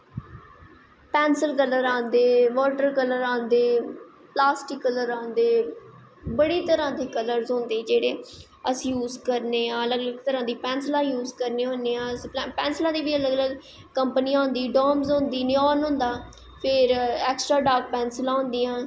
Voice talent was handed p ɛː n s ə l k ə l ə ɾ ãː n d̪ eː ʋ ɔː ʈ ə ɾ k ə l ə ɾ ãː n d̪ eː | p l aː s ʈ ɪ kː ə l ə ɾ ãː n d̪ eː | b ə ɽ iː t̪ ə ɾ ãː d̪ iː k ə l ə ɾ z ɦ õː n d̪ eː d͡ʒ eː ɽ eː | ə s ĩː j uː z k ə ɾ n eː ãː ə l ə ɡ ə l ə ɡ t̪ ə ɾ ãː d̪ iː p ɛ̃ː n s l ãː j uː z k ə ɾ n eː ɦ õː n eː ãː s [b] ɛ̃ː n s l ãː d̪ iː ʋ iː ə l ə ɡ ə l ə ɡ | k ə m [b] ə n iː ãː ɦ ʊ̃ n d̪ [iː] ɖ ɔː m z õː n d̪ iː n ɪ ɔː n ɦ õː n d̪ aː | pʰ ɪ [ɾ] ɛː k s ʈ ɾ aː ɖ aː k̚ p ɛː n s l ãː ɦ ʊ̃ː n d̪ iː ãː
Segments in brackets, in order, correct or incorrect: incorrect: p, incorrect: p, correct, correct

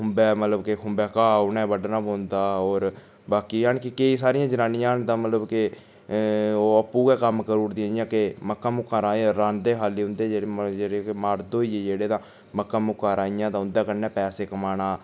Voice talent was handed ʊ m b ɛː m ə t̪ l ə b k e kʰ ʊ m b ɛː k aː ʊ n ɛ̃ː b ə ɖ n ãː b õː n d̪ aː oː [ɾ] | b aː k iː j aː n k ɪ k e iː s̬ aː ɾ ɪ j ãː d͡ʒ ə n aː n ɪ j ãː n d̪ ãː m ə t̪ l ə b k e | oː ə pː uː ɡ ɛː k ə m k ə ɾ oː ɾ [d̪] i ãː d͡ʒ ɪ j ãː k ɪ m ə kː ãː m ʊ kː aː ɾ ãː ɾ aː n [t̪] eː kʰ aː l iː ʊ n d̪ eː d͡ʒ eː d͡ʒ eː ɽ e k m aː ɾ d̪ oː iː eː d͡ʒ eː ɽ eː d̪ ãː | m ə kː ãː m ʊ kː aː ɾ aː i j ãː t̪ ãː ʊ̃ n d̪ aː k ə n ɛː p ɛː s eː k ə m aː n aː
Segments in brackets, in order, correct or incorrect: correct, correct, incorrect: d̪

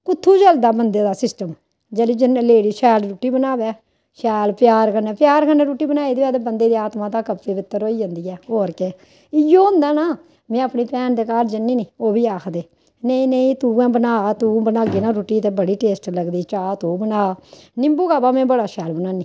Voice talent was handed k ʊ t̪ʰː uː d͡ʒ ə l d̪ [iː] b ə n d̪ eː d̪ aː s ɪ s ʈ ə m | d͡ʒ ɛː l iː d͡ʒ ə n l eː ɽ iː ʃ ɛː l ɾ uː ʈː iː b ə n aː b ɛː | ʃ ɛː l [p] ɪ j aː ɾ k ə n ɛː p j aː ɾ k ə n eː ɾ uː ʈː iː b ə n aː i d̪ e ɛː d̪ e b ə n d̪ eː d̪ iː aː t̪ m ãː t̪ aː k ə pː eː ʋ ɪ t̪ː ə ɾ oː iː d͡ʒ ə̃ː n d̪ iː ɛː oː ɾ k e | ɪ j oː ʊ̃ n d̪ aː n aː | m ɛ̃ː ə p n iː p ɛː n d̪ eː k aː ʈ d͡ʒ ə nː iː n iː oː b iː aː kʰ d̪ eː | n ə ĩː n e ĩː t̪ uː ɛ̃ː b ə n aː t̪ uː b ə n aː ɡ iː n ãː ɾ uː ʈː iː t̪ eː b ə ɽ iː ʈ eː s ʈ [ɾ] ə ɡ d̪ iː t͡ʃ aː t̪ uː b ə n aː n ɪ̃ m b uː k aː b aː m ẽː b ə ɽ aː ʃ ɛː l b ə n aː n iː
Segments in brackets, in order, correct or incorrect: incorrect: aː, correct, incorrect: l

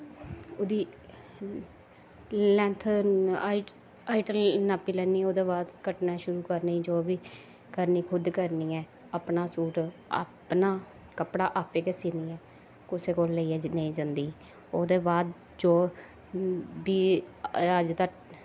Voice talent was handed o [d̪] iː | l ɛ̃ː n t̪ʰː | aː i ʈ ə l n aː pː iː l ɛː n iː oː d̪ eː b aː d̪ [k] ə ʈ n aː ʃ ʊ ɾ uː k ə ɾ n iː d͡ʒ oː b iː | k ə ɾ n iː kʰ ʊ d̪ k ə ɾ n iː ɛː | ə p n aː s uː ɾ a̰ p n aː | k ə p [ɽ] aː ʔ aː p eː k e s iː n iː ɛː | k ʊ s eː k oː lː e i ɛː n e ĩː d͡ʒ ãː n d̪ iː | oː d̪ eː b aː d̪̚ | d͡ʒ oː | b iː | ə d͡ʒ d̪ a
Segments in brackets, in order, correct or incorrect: correct, correct, correct

